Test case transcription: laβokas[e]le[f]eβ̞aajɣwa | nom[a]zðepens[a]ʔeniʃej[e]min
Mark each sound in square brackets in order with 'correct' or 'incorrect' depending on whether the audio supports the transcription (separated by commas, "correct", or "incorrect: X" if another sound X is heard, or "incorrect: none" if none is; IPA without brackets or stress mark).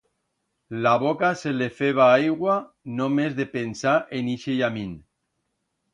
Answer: correct, correct, incorrect: e, correct, incorrect: a